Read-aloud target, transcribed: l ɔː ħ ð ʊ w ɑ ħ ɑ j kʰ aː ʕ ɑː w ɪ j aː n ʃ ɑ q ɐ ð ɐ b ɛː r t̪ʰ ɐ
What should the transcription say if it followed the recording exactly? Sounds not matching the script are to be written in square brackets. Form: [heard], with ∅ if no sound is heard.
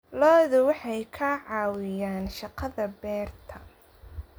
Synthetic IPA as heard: l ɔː [∅] ð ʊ w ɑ ħ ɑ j kʰ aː ʕ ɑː w ɪ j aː n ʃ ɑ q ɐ ð ɐ b ɛː r t̪ʰ ɐ